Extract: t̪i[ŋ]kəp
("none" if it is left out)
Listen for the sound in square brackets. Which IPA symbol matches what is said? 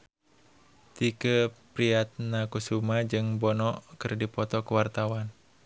none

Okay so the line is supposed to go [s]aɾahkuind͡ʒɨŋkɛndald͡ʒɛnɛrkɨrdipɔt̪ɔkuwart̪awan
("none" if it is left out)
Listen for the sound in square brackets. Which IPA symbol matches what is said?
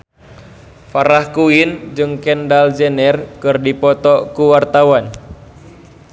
f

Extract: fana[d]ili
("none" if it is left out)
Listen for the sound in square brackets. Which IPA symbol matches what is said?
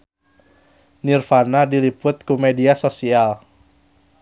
d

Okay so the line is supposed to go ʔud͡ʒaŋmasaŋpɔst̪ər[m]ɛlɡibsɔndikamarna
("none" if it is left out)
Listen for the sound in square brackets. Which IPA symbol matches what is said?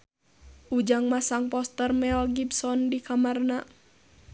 m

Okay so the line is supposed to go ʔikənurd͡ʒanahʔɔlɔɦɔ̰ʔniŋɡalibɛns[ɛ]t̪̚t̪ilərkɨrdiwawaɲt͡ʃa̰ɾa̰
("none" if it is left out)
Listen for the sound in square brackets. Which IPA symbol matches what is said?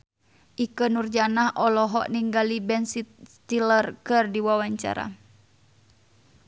i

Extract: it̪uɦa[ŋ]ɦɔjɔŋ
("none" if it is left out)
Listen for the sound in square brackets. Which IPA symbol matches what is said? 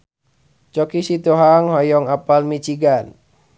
ŋ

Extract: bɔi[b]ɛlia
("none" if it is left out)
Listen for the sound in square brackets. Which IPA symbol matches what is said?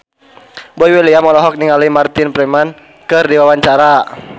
w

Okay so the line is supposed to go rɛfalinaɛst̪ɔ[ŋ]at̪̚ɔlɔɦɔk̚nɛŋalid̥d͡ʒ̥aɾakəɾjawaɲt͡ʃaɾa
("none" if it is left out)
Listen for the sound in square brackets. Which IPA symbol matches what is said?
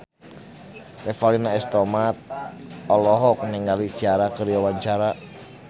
m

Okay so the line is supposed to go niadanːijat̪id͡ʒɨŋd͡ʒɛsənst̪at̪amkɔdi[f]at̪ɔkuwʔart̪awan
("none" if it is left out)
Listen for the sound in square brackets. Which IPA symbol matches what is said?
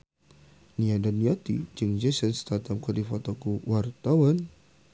f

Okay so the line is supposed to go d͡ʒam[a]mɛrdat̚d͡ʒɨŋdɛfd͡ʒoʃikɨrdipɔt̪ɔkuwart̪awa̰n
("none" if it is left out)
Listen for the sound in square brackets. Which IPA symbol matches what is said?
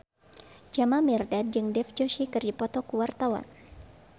a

